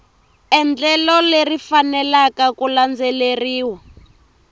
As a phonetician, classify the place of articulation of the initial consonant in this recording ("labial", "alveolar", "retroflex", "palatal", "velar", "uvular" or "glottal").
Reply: alveolar